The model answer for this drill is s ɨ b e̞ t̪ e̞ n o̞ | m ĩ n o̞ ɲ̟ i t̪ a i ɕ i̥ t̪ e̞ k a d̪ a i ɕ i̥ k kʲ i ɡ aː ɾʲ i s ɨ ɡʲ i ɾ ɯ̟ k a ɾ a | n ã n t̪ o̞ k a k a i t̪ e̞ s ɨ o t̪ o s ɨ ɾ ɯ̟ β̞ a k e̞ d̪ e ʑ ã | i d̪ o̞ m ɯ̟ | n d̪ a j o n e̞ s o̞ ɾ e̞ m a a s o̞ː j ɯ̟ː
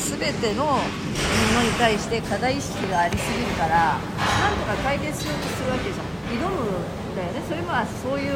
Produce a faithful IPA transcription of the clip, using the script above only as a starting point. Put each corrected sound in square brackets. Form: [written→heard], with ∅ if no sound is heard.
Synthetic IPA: s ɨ b e̞ t̪ e̞ n o̞ | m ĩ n o̞ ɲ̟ i t̪ a i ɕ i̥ t̪ e̞ k a d̪ a i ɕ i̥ k kʲ i ɡ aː ɾʲ i s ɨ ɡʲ i ɾ ɯ̟ k a ɾ a | n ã n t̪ o̞ k a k a i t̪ e̞ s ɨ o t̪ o s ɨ ɾ ɯ̟ β̞ a k e̞ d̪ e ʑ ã | i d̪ o̞ m ɯ̟ | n d̪ a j o n e̞ s o̞ ɾ e̞ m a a s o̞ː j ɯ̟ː